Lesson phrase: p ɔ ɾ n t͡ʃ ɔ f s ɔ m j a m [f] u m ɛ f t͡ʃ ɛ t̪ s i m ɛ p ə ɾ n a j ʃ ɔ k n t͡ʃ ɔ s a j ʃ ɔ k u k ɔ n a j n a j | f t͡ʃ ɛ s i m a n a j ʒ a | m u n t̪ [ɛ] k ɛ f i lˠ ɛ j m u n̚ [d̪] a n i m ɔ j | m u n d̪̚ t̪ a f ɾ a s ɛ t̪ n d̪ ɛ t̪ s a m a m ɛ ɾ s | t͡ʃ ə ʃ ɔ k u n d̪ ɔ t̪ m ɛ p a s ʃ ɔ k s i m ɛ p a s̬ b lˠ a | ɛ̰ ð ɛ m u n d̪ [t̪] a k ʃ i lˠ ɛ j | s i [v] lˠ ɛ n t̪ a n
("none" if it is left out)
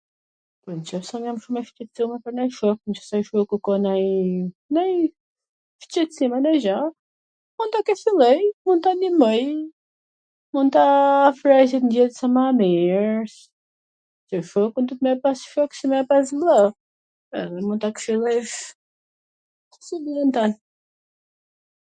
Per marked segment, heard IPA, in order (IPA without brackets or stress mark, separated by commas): ʃ, a, t̪, t̪, b